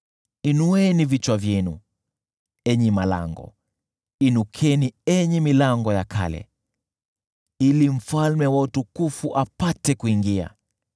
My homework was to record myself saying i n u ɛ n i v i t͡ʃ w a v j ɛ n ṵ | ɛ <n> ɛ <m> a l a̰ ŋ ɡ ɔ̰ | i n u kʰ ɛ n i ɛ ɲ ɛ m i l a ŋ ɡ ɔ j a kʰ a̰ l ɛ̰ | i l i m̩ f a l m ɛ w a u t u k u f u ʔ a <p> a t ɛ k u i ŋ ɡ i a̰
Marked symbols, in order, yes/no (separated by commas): no, yes, yes